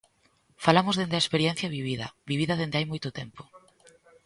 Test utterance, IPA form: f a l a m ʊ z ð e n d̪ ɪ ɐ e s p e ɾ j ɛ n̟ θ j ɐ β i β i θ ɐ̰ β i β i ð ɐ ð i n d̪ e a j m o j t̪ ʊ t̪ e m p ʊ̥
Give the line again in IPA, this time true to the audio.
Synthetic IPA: f a l a m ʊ z ð e n d̪ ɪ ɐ e s p e ɾ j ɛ n̟ θ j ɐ β i β i ð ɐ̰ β i β i ð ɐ ð e n d̪ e a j m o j t̪ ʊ t̪ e m p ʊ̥